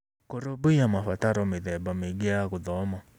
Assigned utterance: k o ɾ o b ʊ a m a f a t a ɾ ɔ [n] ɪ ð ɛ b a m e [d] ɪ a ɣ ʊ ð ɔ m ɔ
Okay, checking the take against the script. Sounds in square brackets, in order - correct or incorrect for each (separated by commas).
incorrect, incorrect